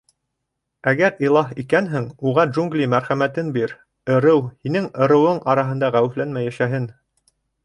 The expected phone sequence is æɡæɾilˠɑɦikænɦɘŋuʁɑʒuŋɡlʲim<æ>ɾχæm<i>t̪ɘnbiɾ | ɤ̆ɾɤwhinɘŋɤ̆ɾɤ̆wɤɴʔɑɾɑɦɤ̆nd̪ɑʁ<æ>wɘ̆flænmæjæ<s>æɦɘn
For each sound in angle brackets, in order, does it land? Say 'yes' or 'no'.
yes, no, yes, no

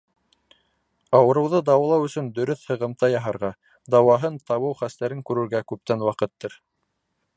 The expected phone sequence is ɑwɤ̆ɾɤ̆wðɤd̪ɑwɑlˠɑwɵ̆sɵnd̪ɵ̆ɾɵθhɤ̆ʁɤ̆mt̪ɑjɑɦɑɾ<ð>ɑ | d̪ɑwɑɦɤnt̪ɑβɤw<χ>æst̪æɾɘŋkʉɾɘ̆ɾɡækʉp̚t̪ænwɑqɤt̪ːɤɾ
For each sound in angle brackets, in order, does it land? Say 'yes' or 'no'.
no, yes

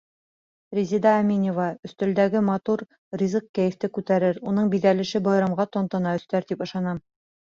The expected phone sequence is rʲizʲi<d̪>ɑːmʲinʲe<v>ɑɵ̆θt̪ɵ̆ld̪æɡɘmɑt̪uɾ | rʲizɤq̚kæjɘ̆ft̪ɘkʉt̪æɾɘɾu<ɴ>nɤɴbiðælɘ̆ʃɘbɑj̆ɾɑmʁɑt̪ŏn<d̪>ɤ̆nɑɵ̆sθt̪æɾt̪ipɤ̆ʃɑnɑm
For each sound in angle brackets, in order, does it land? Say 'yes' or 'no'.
yes, yes, no, no

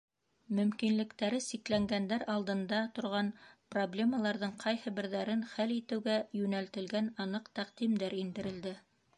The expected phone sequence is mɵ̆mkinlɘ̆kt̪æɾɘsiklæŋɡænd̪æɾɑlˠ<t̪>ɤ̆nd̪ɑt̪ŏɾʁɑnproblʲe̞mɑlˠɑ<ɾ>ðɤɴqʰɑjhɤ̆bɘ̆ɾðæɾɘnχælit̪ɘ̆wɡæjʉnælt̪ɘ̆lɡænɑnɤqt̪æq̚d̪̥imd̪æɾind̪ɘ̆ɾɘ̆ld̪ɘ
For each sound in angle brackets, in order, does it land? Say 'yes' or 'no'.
no, yes

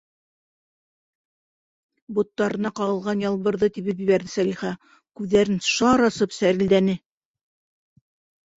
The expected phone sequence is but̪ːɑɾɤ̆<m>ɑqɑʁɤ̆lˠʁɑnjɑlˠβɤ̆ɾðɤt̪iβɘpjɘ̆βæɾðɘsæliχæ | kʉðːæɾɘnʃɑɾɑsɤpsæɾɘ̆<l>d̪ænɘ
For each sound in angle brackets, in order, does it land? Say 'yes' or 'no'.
no, yes

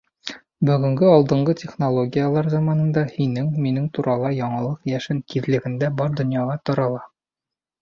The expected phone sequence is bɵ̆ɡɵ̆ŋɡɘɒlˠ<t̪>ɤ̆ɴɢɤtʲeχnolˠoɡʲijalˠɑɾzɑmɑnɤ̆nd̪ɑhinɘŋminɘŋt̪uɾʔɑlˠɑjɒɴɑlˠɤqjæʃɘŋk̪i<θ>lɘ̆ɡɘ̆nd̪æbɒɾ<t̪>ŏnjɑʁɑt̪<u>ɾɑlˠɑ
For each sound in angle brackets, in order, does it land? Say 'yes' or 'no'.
no, no, no, no

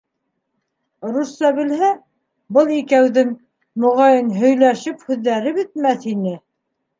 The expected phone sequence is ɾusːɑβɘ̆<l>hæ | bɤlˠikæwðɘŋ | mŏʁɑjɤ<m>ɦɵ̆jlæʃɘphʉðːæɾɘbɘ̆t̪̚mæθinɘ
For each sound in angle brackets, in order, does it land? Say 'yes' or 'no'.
yes, no

